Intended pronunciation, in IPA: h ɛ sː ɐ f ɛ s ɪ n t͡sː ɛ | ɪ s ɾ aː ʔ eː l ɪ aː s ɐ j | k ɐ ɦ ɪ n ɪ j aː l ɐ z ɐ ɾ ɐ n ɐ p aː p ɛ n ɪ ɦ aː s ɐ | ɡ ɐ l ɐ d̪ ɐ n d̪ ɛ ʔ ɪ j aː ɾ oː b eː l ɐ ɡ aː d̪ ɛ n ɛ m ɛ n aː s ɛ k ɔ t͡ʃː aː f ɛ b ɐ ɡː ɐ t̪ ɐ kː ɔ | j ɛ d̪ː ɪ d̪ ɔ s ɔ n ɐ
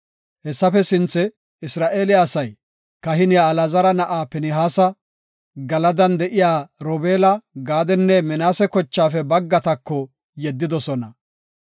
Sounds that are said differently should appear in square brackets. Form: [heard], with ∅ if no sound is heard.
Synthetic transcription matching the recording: h ɛ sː ɐ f ɛ s ɪ n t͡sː ɛ | ɪ s ɾ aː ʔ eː l ɪ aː s ɐ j | k ɐ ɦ ɪ n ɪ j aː l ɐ z ɐ ɾ ɐ n ɐ [ʔ] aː p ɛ n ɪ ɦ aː s ɐ | ɡ ɐ l ɐ d̪ ɐ n d̪ ɛ ʔ ɪ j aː ɾ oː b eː l ɐ ɡ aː d̪ ɛ [nː] ɛ m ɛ n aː s ɛ k ɔ t͡ʃː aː f ɛ b ɐ ɡː ɐ t̪ ɐ kː ɔ | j ɛ d̪ː ɪ d̪ ɔ s ɔ n ɐ